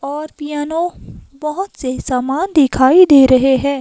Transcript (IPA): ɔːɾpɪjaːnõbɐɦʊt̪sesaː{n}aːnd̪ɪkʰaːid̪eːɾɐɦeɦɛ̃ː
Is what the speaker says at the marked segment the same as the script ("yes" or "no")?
no